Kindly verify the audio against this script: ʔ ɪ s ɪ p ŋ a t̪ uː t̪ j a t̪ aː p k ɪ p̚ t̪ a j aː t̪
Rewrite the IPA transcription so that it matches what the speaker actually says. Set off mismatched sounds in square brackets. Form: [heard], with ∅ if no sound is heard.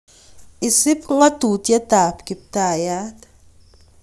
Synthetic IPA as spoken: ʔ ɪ s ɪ p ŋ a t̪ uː t̪ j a t̪ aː p k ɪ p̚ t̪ a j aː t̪